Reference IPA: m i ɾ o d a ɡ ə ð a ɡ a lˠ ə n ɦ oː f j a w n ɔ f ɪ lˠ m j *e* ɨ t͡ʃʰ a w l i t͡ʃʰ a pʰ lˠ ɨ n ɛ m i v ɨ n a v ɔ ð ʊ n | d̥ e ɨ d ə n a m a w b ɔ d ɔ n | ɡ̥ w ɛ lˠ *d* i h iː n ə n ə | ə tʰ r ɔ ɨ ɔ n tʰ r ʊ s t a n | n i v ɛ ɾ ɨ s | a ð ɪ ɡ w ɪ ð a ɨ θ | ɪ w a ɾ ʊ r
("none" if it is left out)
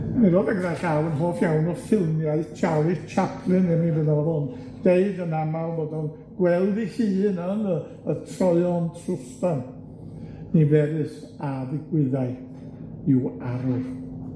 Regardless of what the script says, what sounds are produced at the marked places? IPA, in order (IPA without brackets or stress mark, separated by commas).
a, d